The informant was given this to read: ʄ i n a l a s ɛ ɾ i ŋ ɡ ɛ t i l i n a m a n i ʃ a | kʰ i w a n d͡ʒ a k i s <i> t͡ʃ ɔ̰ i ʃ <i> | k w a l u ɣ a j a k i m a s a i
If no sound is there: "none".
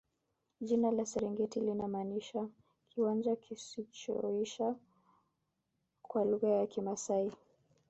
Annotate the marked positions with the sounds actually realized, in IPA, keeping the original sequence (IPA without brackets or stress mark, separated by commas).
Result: i, a